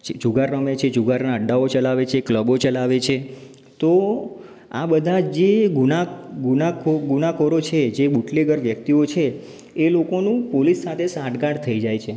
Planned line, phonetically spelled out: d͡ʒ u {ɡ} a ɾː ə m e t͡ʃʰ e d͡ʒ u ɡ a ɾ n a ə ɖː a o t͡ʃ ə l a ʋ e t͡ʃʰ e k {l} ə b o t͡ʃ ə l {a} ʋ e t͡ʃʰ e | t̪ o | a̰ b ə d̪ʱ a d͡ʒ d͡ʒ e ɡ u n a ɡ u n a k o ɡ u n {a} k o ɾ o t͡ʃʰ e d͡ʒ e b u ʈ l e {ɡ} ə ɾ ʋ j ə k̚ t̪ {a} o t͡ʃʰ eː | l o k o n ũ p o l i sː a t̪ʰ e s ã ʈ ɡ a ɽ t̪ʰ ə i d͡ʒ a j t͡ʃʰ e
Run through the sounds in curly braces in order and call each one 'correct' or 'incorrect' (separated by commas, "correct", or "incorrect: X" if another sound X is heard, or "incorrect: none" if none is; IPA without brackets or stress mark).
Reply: correct, correct, correct, correct, correct, incorrect: i